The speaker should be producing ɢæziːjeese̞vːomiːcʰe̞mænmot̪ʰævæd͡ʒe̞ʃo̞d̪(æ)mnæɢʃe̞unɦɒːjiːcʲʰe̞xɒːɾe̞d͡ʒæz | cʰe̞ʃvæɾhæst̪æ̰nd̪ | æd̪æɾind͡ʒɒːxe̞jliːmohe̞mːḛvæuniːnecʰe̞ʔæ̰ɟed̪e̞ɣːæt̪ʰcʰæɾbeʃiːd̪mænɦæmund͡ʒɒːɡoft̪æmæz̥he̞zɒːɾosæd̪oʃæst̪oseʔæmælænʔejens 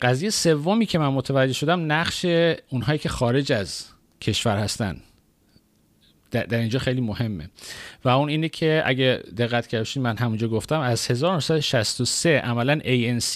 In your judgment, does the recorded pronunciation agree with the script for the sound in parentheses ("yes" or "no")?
yes